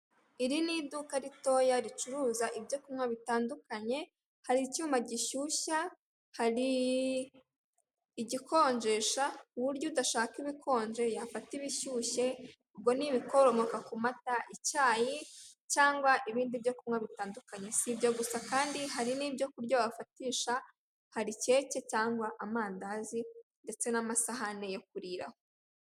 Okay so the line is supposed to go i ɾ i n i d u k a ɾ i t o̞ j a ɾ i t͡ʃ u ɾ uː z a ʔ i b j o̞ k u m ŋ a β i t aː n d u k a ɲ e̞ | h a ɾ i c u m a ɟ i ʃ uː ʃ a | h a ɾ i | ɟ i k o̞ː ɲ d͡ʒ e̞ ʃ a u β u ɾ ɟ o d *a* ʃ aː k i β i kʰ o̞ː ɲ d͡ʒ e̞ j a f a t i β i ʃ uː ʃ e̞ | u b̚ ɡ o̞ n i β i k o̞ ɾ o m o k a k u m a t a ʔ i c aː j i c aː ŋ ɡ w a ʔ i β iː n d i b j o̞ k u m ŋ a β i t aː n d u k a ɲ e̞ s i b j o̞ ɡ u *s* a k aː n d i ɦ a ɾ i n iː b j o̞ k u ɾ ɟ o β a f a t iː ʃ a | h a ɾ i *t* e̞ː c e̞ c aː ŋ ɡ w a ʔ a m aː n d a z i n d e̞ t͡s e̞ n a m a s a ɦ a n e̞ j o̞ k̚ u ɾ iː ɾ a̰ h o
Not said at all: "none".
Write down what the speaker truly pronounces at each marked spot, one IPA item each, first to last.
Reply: a, s, c

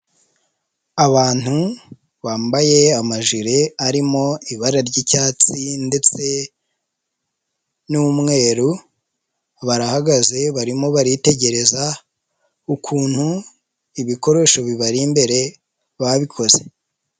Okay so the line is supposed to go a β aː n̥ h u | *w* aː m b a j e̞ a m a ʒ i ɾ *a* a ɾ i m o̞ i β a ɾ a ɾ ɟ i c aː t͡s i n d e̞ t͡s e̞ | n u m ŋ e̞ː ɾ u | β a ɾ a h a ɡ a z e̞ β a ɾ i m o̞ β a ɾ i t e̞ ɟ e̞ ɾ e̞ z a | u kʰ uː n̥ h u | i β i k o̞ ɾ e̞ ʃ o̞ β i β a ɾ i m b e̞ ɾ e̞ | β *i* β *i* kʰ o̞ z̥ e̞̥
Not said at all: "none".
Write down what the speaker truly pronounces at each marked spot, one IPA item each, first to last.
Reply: β, e, a, i

